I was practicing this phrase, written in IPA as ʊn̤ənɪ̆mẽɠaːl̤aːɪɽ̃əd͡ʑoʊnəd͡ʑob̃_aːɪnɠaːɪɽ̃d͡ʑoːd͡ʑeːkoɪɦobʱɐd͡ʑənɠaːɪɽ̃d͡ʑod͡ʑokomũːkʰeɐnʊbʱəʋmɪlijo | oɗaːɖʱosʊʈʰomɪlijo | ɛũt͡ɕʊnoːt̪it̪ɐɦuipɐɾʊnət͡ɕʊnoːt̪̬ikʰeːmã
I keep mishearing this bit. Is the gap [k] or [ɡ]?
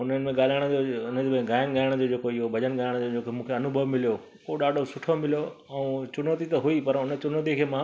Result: ɡ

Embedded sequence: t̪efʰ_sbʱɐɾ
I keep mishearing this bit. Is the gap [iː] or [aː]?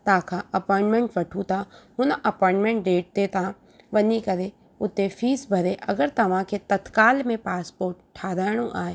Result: iː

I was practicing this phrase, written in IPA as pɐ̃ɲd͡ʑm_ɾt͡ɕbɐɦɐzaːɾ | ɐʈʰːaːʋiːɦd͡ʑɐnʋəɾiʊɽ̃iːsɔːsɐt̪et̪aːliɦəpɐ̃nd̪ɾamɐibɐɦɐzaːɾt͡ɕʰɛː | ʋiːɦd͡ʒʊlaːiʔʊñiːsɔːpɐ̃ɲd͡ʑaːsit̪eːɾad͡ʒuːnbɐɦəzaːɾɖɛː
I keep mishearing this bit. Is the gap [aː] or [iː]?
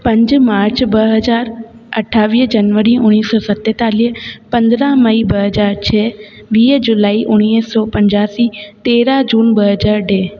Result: aː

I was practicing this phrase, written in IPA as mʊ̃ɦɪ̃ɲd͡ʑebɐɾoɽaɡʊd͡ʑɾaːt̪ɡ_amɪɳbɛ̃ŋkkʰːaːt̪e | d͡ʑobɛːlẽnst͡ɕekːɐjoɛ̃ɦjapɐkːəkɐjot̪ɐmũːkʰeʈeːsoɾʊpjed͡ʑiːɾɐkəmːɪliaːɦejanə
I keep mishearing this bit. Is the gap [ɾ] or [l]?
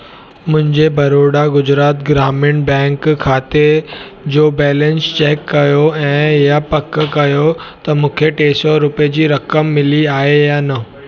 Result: ɾ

